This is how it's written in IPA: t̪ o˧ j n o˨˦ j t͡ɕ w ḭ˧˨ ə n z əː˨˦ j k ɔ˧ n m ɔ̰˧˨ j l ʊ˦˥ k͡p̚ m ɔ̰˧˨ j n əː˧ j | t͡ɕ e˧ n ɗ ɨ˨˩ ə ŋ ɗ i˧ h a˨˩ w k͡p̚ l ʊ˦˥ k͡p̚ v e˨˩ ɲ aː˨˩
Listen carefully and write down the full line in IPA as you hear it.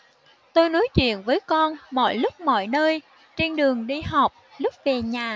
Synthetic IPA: t̪ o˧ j n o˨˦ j t͡ɕ w ḭ˧˨ ə n v əː˨˦ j k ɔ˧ n m ɔ̰˧˨ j l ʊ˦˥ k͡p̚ m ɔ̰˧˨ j n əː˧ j | t͡ɕ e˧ n ɗ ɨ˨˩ ə ŋ ɗ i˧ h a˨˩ w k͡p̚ l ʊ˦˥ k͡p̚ v e˨˩ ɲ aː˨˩